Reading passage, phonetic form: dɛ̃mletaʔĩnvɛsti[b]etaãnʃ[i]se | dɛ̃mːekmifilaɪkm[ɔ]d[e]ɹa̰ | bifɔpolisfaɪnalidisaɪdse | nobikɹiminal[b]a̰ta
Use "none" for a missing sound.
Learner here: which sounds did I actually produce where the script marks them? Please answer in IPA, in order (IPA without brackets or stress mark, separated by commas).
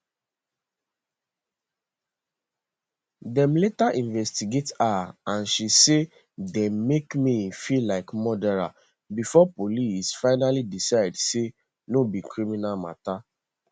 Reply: ɡ, i, ɔ, ɛ, m